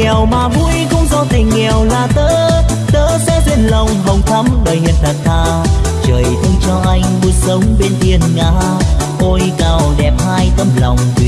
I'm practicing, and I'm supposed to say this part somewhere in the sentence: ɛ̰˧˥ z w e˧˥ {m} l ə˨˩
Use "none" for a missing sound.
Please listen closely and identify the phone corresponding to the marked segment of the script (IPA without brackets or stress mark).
n